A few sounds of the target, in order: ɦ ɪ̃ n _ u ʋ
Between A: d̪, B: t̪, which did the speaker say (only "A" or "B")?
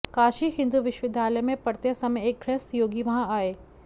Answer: A